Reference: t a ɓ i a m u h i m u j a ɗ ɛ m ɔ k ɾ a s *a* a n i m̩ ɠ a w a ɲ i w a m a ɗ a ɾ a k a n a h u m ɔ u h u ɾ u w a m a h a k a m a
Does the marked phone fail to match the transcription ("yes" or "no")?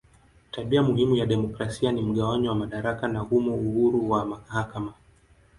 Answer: yes